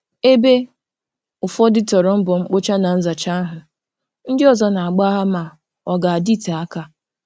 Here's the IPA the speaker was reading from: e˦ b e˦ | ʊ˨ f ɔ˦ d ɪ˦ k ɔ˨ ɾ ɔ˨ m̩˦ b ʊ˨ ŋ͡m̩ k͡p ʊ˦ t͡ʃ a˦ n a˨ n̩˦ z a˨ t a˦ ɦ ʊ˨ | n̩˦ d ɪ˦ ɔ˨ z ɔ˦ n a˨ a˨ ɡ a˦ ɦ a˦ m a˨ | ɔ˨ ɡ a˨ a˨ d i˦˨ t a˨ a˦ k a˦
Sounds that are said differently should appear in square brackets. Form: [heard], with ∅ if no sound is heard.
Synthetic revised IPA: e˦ b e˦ | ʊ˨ f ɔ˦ d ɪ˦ [t] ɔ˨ ɾ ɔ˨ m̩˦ b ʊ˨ ŋ͡m̩ k͡p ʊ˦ t͡ʃ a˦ n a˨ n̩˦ z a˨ [t͡ʃ] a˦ ɦ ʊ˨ | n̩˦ d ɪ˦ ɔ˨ z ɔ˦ n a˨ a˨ [ɡ͡b] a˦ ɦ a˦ m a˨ | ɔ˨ ɡ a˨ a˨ d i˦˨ t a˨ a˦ k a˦